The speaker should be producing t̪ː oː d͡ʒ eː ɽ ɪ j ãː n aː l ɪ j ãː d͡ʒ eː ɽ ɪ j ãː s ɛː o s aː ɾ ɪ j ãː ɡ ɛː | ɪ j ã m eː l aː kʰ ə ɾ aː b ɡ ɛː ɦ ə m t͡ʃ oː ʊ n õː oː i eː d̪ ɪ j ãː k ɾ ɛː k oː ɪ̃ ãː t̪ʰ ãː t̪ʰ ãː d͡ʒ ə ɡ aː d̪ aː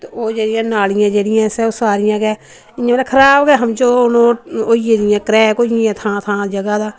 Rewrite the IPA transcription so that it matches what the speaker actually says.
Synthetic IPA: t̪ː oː d͡ʒ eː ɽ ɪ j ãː n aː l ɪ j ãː d͡ʒ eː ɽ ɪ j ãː s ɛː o s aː ɾ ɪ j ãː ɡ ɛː | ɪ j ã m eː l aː kʰ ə ɾ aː b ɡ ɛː ɦ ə m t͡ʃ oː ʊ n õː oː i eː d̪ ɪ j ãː k ɾ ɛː k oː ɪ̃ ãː t̪ʰ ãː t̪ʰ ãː d͡ʒ ə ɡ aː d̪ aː